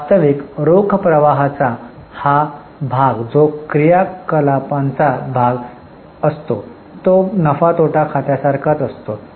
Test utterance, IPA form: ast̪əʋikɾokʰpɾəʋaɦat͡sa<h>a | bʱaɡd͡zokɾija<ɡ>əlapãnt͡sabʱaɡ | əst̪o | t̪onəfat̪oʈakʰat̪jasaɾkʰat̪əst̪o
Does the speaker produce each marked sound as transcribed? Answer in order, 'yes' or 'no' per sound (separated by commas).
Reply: yes, no